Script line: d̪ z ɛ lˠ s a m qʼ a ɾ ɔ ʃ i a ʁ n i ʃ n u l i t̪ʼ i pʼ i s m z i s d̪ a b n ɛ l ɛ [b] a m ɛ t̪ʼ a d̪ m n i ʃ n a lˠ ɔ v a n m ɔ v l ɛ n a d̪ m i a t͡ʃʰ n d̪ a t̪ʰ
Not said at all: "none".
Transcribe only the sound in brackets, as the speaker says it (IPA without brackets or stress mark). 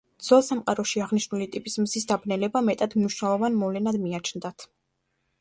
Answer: b